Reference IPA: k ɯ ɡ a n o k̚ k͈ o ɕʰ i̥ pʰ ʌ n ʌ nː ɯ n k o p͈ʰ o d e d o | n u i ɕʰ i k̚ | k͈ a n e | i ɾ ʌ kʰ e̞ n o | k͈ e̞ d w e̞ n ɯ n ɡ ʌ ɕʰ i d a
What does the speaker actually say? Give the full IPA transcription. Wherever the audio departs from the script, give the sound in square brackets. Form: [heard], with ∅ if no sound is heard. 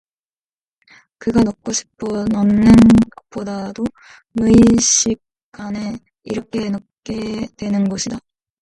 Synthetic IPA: k ɯ ɡ a n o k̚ k͈ o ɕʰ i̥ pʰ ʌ n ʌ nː ɯ n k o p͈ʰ o d [a] d o | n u i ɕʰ i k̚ | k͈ a n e | i ɾ ʌ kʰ e̞ n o | k͈ e̞ d w e̞ n ɯ n ɡ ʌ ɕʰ i d a